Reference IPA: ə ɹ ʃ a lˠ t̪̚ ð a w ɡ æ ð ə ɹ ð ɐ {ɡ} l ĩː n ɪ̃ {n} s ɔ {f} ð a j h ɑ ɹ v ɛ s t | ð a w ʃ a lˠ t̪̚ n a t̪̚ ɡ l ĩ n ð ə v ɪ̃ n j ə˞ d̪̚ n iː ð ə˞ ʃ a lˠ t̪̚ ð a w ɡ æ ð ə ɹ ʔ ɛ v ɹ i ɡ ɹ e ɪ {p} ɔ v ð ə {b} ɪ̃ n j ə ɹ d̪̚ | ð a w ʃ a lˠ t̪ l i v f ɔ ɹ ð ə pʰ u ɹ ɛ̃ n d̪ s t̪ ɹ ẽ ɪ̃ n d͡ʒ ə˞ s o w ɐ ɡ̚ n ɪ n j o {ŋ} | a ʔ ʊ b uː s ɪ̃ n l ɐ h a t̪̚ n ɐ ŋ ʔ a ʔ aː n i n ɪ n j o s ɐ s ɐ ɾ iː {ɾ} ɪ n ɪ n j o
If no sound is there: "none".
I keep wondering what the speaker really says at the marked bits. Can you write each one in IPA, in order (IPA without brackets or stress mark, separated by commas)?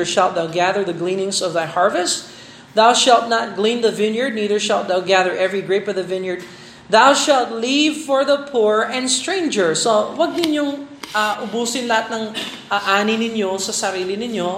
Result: ɡ, ŋ, v, p, v, ŋ, l